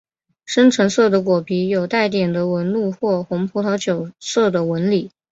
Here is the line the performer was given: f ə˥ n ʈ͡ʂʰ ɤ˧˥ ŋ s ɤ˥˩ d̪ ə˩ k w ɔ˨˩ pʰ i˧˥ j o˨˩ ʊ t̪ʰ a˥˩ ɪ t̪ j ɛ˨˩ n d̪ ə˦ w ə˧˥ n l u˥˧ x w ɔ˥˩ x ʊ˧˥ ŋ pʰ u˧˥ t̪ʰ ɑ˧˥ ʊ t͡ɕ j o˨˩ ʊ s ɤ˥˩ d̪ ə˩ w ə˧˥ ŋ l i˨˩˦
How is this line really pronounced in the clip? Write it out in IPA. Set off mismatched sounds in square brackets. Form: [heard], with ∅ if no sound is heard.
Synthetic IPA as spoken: [ʂ] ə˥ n ʈ͡ʂʰ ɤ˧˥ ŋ s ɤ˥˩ d̪ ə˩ k w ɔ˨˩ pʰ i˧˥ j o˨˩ ʊ [t̪] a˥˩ ɪ t̪ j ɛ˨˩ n d̪ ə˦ w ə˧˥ n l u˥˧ x w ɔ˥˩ x ʊ˧˥ ŋ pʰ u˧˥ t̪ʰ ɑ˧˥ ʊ t͡ɕ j o˨˩ ʊ s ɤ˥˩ d̪ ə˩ w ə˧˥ [n] l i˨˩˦